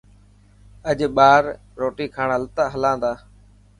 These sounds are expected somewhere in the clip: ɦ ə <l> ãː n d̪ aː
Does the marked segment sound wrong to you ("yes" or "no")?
no